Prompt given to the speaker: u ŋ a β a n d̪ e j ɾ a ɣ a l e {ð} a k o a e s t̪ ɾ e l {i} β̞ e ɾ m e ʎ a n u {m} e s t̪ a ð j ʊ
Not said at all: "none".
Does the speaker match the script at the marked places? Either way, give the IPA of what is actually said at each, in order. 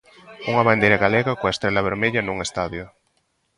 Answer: ɣ, a, ŋ

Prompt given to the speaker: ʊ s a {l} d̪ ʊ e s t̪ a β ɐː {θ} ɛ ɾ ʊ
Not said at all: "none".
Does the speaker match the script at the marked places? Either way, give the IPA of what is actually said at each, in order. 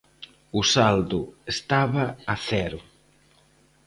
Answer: l, θ

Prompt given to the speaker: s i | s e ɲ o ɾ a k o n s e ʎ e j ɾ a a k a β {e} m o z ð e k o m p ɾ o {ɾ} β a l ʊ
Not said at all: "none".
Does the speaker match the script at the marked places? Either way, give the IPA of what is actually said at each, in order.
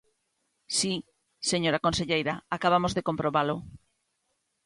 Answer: a, none

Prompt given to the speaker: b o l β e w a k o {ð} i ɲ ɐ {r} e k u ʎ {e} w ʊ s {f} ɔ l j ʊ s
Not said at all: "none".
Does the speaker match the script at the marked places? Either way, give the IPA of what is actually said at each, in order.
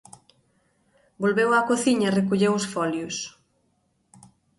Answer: θ, r, e, f

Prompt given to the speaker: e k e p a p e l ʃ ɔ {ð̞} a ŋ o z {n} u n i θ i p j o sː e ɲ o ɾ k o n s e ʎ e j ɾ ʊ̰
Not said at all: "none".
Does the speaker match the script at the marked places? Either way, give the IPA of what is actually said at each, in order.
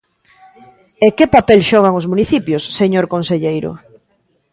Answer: ɣ̞, m

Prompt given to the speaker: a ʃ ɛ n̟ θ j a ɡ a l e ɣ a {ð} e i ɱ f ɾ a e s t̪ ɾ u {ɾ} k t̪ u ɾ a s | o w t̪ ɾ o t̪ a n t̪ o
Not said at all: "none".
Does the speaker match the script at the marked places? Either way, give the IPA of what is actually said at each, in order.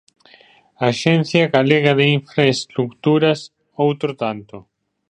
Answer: ð, none

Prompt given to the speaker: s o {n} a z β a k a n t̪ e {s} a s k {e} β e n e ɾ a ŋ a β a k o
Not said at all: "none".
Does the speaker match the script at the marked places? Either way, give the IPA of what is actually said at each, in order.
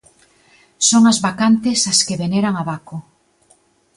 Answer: ŋ, s, e

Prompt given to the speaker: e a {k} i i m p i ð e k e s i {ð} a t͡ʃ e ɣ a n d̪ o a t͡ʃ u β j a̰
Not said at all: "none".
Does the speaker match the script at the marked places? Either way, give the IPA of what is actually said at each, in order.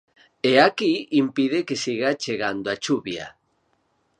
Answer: k, ɣ

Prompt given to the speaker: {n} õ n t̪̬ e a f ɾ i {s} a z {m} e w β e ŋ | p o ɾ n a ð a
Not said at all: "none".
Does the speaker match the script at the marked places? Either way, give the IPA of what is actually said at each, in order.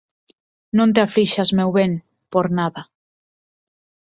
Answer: n, ʃ, m

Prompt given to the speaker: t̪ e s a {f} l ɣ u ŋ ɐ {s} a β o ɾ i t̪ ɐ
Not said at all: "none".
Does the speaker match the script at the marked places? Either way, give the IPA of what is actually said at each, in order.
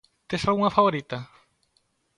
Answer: none, f

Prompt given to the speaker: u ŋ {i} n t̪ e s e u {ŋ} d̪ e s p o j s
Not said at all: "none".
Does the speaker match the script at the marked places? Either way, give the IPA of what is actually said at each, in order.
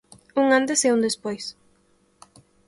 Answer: a, n

